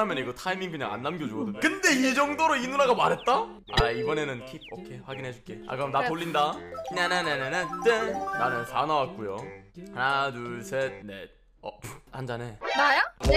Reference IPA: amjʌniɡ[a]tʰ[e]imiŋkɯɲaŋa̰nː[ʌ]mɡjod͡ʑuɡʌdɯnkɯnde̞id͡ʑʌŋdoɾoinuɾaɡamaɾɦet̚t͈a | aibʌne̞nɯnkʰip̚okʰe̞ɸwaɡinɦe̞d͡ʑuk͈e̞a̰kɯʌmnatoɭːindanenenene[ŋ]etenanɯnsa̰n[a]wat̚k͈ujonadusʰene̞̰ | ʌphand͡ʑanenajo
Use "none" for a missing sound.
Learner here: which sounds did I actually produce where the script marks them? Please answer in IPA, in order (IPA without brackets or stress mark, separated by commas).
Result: ʌ, a, a, n, a